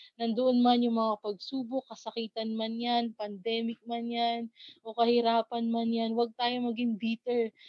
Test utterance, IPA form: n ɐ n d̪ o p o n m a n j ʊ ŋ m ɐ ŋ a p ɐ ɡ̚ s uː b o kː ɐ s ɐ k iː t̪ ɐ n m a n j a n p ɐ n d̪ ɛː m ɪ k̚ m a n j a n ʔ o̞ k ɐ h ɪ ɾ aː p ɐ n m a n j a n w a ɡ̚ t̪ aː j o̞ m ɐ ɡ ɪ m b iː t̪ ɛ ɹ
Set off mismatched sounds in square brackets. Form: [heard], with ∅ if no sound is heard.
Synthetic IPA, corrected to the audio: n ɐ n d̪ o [ʔ] o n m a n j ʊ ŋ m ɐ ŋ a p ɐ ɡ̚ s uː b o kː ɐ s ɐ k iː t̪ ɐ n m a n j a n p ɐ n d̪ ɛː m ɪ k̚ m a n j a n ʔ o̞ k ɐ h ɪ ɾ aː p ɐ n m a n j a n w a ɡ̚ t̪ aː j o̞ m ɐ ɡ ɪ [ŋ] b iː t̪ ɛ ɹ